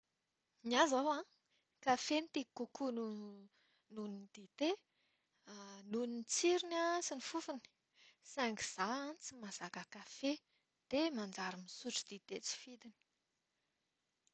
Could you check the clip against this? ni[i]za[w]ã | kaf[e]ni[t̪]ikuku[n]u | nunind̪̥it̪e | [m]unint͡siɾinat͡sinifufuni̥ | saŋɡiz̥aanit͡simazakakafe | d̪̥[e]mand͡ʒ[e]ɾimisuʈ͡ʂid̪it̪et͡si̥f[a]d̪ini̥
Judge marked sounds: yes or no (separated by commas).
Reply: no, yes, yes, yes, yes, no, yes, no, no